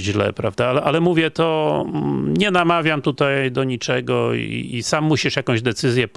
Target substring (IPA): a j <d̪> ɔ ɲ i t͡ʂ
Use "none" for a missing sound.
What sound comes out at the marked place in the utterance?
d̪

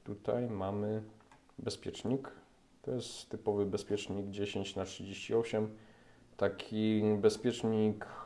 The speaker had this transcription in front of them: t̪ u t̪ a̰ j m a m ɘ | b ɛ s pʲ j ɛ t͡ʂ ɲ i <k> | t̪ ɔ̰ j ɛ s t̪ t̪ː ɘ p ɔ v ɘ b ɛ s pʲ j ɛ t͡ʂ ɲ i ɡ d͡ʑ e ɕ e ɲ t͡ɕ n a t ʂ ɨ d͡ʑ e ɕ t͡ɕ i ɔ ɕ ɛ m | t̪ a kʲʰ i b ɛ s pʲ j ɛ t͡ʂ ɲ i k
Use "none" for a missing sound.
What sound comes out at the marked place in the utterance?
k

